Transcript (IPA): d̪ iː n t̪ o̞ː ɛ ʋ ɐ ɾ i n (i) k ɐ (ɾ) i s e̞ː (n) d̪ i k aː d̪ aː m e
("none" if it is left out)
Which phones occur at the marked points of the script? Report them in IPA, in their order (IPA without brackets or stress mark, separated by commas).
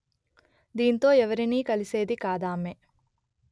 iː, l, none